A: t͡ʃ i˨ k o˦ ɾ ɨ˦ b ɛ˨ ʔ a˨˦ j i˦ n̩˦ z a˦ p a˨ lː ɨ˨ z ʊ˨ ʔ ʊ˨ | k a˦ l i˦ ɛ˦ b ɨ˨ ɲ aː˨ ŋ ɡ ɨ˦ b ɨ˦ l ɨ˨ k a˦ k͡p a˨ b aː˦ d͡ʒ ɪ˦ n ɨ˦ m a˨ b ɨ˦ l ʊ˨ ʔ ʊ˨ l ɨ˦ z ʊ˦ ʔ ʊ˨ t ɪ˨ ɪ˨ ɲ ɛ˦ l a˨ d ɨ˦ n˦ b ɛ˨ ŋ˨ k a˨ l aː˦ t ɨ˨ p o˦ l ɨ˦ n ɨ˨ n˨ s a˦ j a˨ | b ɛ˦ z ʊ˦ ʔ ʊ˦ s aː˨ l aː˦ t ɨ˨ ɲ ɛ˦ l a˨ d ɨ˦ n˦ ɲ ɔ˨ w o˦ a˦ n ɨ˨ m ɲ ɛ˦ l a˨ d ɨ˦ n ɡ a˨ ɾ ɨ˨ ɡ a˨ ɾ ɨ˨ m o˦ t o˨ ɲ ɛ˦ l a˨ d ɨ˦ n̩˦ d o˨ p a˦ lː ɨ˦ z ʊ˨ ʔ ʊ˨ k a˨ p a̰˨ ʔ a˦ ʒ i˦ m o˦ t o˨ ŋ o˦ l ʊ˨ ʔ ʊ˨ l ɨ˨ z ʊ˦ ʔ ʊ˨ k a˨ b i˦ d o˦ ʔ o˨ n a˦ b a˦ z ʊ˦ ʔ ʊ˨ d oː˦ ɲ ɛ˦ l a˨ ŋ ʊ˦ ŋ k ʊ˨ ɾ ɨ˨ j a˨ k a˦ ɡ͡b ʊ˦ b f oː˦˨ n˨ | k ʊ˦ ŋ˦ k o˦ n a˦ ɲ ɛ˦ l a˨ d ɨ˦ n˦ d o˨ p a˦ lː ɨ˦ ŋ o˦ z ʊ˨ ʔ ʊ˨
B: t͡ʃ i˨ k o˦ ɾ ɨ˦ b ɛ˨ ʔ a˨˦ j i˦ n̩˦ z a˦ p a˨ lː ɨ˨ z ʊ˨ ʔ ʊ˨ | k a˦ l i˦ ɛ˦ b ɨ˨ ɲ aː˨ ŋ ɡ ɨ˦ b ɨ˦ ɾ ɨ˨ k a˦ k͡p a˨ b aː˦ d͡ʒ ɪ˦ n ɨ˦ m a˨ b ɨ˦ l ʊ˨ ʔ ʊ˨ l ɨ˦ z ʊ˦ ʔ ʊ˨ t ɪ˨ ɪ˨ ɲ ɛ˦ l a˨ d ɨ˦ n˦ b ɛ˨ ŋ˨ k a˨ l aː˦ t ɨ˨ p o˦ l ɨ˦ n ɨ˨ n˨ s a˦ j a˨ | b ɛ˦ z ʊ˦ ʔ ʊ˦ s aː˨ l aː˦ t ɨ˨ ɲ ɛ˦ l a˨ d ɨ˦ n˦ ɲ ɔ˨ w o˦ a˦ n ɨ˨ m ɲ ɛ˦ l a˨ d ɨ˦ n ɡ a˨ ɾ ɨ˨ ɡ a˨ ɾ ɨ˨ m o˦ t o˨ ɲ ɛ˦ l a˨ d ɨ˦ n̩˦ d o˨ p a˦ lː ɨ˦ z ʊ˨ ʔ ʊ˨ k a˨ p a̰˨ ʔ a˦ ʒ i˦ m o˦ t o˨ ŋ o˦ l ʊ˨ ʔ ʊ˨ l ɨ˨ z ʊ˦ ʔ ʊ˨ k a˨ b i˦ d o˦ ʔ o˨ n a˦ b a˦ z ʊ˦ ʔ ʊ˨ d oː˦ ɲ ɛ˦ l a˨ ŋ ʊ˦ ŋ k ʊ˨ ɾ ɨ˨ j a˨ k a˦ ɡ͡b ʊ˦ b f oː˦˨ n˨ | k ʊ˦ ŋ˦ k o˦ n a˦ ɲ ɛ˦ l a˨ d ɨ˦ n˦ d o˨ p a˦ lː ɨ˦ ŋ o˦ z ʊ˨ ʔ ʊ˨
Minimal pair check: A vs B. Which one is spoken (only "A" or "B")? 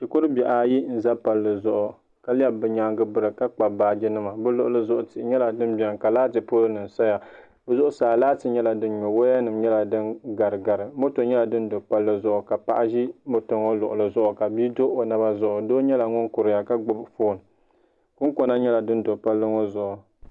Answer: B